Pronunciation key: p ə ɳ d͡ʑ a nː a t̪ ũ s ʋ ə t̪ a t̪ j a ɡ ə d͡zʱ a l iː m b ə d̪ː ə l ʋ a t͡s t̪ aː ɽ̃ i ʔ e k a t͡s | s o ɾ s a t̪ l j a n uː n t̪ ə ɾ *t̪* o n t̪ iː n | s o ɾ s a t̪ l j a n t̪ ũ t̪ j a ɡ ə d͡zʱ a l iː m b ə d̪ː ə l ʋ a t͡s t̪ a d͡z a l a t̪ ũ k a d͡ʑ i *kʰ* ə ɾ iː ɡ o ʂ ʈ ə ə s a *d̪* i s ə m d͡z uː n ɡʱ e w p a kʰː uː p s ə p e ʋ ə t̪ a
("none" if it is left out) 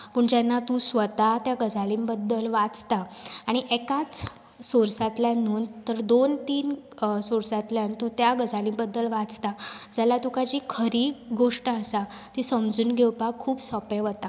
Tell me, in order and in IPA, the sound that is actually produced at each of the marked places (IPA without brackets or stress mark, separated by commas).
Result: d̪, kʰ, t̪